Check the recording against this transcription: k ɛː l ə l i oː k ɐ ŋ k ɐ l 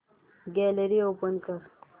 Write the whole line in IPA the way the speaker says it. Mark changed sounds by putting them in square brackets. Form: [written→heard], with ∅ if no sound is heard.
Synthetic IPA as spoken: [k→ɡ] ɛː l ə [l→ɾ] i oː [k→p] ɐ [ŋ→n] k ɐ [l→ɾ]